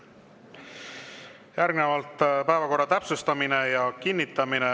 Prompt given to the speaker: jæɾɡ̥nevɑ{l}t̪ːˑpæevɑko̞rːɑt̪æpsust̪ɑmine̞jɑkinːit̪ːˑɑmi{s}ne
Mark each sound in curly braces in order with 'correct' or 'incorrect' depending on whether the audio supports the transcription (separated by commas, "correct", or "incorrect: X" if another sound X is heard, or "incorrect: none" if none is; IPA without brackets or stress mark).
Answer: correct, incorrect: none